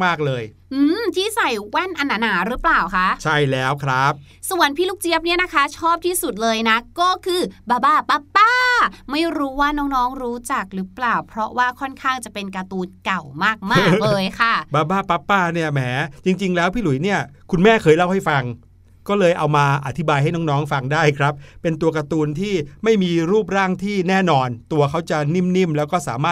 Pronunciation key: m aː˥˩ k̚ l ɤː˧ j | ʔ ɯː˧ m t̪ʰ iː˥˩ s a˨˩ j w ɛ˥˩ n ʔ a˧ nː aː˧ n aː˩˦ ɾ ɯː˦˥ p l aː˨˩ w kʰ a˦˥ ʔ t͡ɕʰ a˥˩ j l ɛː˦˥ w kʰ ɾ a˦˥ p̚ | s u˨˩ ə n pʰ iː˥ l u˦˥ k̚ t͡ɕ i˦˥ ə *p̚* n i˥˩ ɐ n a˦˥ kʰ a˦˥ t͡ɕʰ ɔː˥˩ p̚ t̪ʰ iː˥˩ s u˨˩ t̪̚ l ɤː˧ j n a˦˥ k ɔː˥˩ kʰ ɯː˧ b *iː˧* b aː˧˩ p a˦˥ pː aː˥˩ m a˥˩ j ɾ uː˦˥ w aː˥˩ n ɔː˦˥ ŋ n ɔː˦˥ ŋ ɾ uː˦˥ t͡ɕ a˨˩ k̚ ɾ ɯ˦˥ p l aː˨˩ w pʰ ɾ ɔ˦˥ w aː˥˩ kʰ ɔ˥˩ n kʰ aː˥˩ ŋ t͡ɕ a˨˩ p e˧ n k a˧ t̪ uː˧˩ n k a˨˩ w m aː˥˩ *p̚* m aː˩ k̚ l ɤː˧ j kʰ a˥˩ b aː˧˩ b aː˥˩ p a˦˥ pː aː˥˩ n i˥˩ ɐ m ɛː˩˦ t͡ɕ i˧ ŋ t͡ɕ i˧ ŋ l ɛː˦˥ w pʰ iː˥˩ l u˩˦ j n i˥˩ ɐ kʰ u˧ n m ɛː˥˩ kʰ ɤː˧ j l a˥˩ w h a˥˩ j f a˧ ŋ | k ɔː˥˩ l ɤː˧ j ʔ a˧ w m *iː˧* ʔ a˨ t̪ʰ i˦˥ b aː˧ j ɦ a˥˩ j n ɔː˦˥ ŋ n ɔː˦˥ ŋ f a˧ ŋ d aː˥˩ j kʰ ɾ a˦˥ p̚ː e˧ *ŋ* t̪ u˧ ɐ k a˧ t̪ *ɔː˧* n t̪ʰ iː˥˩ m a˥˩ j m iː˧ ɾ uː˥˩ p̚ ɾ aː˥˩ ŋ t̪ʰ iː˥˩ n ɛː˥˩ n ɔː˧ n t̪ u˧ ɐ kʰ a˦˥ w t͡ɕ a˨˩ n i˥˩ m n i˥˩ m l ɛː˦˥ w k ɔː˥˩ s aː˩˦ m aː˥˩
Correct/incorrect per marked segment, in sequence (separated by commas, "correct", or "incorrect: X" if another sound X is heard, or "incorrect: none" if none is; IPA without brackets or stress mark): correct, incorrect: aː˧, incorrect: k̚, incorrect: aː˧, incorrect: n, incorrect: uː˧